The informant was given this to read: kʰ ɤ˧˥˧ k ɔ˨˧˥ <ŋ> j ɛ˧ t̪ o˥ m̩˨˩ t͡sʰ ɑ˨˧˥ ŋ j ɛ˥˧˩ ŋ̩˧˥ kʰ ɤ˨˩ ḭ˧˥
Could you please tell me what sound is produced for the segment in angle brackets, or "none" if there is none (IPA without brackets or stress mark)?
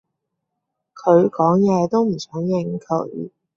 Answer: ŋ